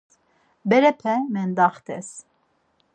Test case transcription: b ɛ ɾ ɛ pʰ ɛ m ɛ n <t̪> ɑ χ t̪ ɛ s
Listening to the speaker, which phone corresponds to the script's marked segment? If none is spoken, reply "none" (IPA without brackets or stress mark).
d̪